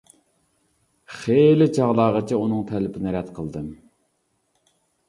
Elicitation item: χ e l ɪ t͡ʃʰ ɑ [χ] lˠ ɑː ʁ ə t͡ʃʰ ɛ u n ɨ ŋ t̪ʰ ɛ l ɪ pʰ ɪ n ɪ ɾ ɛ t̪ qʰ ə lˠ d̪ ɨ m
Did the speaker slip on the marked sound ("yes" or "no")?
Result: yes